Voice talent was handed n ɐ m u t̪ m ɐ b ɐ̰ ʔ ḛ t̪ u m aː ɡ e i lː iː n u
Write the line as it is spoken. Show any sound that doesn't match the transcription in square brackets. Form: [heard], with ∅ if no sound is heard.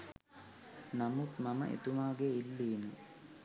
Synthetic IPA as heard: n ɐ m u t̪ m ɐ [m] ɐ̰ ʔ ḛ t̪ u m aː ɡ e i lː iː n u